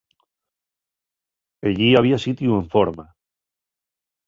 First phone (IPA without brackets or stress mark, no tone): e